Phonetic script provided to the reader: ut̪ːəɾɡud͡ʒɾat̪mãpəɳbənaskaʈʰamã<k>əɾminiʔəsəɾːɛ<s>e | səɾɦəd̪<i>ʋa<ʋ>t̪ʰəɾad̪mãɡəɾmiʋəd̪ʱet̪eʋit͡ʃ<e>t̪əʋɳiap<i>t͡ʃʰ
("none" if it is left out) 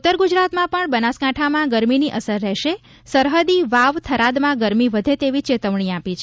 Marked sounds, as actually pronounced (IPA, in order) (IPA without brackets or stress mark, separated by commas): ɡ, ʃ, i, ʋ, e, i